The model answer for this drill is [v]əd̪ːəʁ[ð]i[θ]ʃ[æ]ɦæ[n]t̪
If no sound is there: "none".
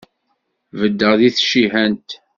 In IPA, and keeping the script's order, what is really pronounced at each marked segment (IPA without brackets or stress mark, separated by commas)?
v, ð, θ, i, n